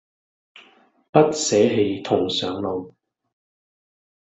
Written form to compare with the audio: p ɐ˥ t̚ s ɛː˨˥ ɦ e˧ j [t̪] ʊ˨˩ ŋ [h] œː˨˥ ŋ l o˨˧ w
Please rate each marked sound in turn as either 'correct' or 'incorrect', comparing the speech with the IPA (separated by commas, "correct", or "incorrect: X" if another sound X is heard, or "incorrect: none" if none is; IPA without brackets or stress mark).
incorrect: t̪ʰ, incorrect: s